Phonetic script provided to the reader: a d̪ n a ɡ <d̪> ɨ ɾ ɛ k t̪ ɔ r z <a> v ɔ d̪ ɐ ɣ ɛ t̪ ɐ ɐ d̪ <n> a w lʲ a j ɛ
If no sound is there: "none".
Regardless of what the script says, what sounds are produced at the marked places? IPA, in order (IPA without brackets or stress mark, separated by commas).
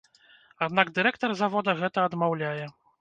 d̪, a, m